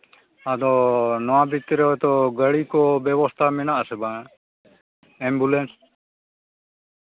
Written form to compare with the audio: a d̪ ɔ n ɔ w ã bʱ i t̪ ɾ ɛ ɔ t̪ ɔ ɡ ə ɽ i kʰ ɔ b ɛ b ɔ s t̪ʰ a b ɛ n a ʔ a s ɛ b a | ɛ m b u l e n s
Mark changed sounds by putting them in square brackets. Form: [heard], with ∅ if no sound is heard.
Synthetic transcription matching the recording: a d̪ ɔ n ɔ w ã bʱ i t̪ ɾ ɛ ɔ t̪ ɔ ɡ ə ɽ i [k] ɔ b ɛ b ɔ s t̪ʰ a [m] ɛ n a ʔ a s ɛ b a | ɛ m b u l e n s